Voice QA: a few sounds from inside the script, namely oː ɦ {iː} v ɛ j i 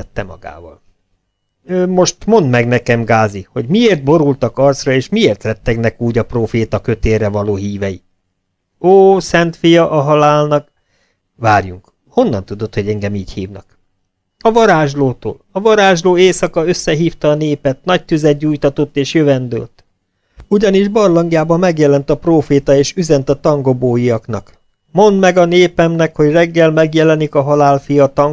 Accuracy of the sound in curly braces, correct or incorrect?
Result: correct